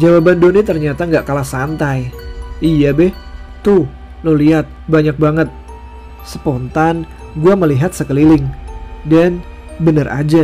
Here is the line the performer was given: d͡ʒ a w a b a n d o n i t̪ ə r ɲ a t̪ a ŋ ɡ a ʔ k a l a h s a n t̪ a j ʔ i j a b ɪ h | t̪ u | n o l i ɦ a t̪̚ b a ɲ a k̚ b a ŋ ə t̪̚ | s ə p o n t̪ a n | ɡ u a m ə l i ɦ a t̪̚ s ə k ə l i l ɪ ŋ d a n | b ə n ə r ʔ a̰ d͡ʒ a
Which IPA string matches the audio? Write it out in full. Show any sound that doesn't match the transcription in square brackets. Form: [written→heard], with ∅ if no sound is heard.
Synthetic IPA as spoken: d͡ʒ a w a b a n d o n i t̪ ə r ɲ a t̪ a ŋ ɡ a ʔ k a l a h s a n t̪ a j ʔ i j a b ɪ h | t̪ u | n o l i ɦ a t̪̚ b a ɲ a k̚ b a ŋ ə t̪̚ | s ə p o n t̪ a n | ɡ u a m ə l i ɦ a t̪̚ s ə k ə l i l ɪ ŋ d a n | b ə n ə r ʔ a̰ d͡ʒ a